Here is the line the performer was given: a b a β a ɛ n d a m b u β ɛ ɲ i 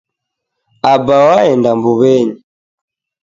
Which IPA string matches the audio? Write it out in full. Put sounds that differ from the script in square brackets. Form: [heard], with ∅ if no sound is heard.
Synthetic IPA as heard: a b a [w] a ɛ n d a m b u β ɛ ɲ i